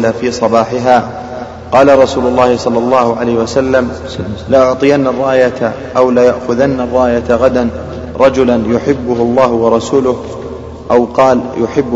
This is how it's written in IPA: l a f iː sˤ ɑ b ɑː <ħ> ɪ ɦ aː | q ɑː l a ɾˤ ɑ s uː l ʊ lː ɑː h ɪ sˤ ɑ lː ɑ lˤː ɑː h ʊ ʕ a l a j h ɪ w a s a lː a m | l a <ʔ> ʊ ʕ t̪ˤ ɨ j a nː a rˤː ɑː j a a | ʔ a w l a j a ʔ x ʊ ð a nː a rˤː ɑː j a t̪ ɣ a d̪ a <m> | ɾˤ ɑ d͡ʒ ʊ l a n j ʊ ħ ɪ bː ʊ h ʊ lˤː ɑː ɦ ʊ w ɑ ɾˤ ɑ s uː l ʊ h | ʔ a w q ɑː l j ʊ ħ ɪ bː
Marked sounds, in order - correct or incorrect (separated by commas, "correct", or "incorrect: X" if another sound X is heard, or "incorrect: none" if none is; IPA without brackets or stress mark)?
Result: correct, correct, incorrect: n